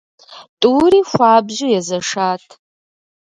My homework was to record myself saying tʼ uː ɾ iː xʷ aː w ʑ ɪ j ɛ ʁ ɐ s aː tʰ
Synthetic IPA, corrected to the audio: tʼ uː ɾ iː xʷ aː b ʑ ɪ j ɛ z ɐ ʂ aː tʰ

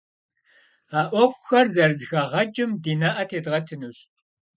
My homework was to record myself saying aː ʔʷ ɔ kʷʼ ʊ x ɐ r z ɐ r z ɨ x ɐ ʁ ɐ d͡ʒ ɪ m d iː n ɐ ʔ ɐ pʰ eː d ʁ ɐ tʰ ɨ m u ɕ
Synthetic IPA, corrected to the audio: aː ʔʷ ɔ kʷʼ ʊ x ɐ r z ɐ r z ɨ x ɐ ʁ ɐ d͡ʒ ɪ m d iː n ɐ ʔ ɐ tʰ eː d ʁ ɐ tʰ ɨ n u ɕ

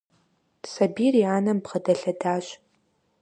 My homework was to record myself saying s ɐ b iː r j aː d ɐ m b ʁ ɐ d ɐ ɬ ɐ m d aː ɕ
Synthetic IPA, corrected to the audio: s ɐ b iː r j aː n ɐ m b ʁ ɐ d ɐ ɬ ɐ d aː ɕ

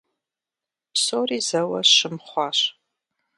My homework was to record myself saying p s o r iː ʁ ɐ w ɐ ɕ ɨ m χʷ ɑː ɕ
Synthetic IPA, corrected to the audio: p s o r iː z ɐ w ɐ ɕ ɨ m χʷ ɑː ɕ

